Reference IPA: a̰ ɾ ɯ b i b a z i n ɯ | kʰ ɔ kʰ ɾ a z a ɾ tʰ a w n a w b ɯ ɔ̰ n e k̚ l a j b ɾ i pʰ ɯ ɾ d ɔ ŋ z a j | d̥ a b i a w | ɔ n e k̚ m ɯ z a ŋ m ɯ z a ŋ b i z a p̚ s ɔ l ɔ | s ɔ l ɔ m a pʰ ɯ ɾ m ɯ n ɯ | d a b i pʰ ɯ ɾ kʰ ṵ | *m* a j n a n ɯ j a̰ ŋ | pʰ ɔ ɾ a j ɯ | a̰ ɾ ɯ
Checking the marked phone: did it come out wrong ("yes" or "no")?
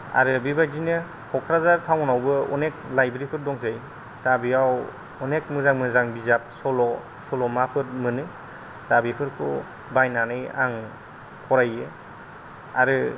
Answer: yes